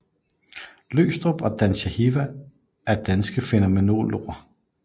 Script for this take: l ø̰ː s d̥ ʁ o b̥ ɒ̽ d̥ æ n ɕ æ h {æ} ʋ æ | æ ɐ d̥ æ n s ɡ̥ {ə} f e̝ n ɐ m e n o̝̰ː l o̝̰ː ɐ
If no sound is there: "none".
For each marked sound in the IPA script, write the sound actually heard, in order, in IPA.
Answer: i, ə

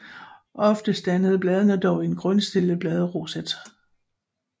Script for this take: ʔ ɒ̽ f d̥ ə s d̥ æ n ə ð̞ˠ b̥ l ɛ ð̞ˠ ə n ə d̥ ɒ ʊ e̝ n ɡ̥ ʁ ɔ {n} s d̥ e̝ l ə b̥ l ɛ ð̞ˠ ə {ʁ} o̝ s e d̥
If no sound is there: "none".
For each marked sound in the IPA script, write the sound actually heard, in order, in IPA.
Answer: n, ʁ

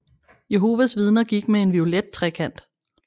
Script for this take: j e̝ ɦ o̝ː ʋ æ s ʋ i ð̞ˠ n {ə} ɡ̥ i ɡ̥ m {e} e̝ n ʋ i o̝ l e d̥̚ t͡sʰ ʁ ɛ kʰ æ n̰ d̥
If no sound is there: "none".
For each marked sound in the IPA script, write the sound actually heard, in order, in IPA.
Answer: ɐ, e

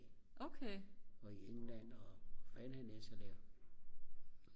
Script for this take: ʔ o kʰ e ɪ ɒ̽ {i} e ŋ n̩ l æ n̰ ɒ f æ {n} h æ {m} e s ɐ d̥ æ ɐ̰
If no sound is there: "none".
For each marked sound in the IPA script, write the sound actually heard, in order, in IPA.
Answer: i, n, n

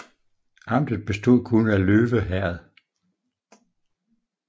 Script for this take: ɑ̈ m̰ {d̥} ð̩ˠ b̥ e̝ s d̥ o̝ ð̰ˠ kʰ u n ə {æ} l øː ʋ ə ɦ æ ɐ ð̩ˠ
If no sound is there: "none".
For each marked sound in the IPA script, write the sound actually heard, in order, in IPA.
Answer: d̥, æ

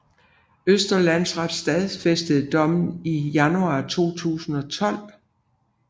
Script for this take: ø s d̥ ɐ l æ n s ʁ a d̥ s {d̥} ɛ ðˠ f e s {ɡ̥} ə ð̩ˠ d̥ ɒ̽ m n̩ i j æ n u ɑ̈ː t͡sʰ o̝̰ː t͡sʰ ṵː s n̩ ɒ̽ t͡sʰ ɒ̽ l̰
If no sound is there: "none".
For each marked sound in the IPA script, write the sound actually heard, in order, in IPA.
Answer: d̥, d̥

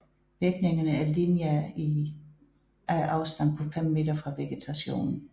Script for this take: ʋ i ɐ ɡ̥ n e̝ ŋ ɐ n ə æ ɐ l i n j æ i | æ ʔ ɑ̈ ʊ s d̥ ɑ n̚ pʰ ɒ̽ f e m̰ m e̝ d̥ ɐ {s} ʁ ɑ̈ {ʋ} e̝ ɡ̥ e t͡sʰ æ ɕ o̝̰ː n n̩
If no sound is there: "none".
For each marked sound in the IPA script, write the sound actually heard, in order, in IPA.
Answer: f, ʋ

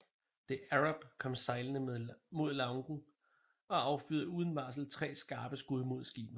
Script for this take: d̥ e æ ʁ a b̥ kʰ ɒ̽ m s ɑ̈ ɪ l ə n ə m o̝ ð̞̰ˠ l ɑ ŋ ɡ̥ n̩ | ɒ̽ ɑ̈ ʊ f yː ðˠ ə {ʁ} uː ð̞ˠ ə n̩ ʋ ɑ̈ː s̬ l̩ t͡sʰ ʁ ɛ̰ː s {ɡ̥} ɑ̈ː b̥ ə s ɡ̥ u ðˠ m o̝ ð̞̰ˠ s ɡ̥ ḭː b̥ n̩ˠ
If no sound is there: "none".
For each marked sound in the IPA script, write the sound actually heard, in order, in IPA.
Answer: none, ɡ̥

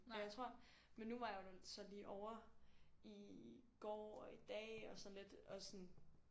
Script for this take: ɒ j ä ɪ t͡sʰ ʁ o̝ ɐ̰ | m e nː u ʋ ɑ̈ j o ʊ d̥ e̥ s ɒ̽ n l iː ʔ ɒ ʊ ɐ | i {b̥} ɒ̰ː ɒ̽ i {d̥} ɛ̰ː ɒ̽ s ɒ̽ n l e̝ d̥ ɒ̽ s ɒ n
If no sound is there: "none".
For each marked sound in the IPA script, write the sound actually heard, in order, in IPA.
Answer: ɡ̥, d̥

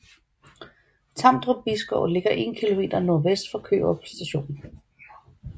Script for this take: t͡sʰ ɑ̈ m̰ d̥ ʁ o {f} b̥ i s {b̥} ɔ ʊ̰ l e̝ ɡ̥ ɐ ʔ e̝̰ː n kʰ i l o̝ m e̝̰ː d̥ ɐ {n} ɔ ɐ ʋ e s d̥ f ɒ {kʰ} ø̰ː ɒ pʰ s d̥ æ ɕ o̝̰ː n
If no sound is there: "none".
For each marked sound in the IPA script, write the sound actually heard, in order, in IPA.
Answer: none, ɡ̥, n, kʰ

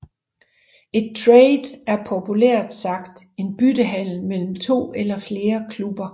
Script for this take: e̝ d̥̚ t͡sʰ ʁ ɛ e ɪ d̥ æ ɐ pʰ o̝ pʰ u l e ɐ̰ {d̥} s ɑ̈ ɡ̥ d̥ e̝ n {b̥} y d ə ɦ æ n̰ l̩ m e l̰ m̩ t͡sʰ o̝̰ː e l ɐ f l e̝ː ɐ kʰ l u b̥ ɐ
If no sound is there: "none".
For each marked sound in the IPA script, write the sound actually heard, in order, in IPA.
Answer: d̥, b̥

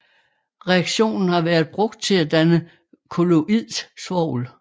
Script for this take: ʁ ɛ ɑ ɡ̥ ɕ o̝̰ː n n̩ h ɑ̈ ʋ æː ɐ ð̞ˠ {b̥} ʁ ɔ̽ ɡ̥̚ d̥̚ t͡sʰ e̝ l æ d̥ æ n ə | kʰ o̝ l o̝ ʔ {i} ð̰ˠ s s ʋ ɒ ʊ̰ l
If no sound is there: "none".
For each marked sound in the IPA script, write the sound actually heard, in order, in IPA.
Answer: b̥, i

